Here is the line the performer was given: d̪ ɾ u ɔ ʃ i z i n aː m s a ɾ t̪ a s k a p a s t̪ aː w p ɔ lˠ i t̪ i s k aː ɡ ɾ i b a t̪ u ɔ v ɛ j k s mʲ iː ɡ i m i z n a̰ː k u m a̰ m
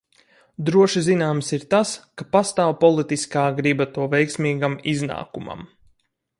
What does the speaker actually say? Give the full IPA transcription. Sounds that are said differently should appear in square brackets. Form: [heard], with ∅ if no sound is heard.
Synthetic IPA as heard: d̪ ɾ u ɔ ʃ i z i n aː m s [i] ɾ t̪ a s k a p a s t̪ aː w p ɔ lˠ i t̪ i s k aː ɡ ɾ i b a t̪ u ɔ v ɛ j k s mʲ iː ɡ [a] m i z n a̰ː k u m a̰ m

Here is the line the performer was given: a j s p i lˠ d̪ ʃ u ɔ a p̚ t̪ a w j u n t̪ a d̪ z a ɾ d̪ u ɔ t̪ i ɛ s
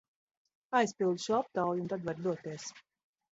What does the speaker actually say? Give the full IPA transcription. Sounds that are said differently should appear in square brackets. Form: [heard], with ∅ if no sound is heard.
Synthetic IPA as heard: a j s p i lˠ d̪ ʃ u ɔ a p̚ t̪ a w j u n t̪ a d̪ [v] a ɾ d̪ u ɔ t̪ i ɛ s

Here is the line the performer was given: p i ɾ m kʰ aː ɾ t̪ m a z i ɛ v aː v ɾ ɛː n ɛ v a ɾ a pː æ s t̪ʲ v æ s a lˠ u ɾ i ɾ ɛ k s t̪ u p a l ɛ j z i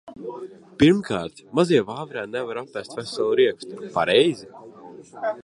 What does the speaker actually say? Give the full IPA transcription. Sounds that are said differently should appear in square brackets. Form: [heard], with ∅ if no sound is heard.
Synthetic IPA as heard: p i ɾ m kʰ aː ɾ t̪ m a z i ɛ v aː v ɾ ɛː n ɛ v a ɾ a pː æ s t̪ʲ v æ s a lˠ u ɾ i [∅] ɛ k s t̪ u p a [ɾ] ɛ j z i

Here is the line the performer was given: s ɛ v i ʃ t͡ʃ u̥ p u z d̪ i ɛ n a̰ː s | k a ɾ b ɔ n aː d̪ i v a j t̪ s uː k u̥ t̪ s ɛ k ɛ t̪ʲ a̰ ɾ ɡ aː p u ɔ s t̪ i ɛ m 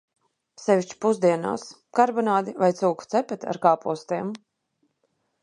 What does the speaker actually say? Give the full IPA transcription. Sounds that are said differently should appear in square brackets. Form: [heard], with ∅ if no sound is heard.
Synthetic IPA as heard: s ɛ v i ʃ t͡ʃ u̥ p u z d̪ i ɛ n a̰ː s | k a ɾ b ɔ n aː d̪ i v a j t̪ s uː k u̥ t̪ s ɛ [p] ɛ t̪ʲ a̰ ɾ [k] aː p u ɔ s t̪ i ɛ m

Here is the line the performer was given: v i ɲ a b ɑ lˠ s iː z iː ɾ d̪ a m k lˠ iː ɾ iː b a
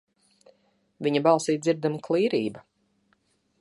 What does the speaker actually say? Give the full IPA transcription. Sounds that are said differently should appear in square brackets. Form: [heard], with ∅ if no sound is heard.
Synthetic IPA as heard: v i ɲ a b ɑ lˠ s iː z [i] ɾ d̪ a m k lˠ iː ɾ iː b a

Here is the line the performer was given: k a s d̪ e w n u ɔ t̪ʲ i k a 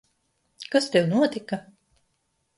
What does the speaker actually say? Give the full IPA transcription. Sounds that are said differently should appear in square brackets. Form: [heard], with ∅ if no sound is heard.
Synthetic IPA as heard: k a s [t̪] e w n u ɔ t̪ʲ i k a

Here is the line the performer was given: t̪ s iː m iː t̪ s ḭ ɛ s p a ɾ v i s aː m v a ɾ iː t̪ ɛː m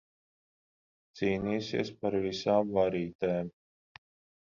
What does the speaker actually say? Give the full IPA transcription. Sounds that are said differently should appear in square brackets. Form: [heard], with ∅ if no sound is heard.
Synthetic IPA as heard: t̪ s iː [n] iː [∅] s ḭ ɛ s p a ɾ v i s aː m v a ɾ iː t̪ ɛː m

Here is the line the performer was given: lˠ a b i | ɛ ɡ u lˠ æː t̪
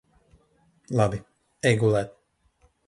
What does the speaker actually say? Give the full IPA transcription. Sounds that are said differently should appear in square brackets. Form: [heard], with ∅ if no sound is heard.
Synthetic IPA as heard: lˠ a b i | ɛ ɡ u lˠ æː t̪

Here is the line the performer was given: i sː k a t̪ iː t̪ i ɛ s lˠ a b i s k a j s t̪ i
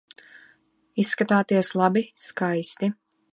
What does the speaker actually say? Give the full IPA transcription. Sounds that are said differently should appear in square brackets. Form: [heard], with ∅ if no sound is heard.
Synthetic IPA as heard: i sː k a t̪ [aː] t̪ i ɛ s lˠ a b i s k a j s t̪ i

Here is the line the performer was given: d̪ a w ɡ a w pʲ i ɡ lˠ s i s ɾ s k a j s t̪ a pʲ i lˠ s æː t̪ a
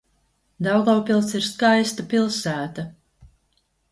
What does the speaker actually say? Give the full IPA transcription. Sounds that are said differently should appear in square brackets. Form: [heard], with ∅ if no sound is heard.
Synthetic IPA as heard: d̪ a w ɡ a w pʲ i [∅] lˠ s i [∅] ɾ s k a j s t̪ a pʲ i lˠ s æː t̪ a

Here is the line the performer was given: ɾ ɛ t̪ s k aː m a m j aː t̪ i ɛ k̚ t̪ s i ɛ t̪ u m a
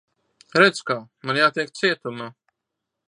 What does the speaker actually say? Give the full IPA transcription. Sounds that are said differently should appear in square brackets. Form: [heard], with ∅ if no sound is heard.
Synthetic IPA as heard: ɾ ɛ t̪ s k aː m a [n] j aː t̪ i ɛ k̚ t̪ s i ɛ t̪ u m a

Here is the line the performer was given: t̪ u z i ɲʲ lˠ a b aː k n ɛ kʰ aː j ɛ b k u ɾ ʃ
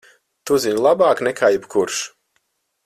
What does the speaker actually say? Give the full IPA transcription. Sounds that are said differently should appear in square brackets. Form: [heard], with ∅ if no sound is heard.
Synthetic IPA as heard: t̪ u z i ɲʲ lˠ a b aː k n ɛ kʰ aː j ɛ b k u ɾ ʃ

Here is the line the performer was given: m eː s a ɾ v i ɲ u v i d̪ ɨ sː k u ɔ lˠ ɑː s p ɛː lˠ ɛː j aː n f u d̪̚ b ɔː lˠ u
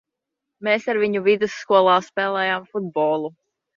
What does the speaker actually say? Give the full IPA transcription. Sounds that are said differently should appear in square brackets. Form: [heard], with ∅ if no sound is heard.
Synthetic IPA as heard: m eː s a ɾ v i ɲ u v i d̪ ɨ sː k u ɔ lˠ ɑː s p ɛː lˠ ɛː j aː [m] f u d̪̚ b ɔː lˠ u

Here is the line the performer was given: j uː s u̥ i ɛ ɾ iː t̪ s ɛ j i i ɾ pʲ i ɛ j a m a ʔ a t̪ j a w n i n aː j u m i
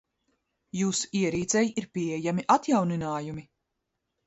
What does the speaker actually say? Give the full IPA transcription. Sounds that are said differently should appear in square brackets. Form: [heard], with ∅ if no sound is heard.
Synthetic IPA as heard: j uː s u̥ i ɛ ɾ iː t̪ s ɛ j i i ɾ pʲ i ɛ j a m [i] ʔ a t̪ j a w n i n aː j u m i

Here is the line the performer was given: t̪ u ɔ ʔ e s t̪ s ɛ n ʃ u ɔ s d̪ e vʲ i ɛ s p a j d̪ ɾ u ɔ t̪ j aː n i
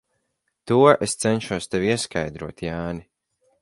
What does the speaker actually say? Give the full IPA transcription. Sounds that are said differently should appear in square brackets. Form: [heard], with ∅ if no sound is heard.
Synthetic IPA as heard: t̪ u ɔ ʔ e s t̪ s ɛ n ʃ u ɔ s [t̪] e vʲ i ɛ s [k] a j d̪ ɾ u ɔ t̪ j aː n i

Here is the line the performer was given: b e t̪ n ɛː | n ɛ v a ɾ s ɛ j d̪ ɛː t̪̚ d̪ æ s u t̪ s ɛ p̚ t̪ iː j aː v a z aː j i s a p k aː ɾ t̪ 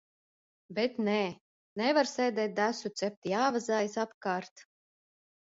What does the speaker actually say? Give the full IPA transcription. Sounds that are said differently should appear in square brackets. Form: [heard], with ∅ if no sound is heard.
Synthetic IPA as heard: b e t̪ n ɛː | n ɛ v a ɾ s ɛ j d̪ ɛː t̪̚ d̪ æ s u t̪ s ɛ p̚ t̪ [i] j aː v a z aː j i s a p k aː ɾ t̪

